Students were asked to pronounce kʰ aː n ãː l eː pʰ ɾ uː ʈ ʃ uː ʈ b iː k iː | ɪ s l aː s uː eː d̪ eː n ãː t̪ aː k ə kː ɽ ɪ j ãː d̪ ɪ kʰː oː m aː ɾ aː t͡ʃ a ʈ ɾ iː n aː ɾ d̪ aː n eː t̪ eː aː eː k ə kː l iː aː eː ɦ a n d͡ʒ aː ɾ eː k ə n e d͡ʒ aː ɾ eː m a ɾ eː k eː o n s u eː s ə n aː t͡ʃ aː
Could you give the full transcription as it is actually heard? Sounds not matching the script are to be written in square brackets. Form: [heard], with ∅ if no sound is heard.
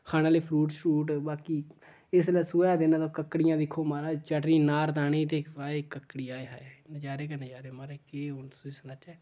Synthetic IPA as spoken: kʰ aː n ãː l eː pʰ ɾ uː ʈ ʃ uː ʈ b [aː] k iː | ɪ s l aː s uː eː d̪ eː n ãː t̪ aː k ə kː ɽ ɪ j ãː d̪ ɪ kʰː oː m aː ɾ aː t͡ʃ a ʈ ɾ iː n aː ɾ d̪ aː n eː t̪ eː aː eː k ə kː [ɽ] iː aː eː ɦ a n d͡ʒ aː ɾ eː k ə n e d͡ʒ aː ɾ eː m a ɾ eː k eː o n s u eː s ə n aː t͡ʃ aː